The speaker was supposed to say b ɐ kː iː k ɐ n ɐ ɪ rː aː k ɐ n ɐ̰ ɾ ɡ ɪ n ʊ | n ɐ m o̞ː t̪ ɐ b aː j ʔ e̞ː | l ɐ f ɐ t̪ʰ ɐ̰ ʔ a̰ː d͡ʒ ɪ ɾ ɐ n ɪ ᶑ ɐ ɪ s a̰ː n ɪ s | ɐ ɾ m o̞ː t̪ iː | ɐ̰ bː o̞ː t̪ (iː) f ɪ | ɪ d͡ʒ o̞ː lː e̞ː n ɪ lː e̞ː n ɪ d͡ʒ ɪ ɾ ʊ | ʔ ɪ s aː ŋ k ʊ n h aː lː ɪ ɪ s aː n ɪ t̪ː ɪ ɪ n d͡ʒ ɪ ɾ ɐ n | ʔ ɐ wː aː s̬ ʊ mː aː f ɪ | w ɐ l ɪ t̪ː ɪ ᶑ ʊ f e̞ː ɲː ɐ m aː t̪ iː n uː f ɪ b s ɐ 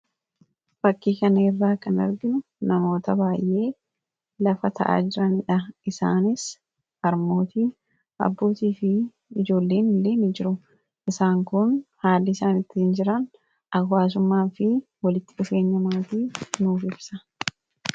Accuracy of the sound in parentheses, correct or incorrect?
correct